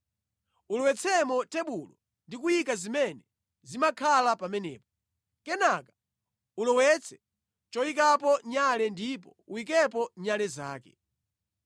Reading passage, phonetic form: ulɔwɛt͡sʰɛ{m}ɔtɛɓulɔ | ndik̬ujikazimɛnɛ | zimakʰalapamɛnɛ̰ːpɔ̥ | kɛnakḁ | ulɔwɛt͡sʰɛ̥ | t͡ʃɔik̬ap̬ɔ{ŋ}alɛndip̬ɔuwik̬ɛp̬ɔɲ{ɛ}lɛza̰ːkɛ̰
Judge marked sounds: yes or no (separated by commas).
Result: yes, no, no